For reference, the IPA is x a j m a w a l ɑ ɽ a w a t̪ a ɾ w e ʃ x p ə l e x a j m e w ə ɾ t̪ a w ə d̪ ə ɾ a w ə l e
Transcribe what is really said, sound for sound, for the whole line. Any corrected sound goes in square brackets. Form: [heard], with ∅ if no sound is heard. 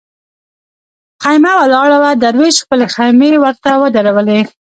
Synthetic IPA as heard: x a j m a w a l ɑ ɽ a w a [d̪] a ɾ w e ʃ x p ə l e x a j m e w ə ɾ t̪ a w ə d̪ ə ɾ a w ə l e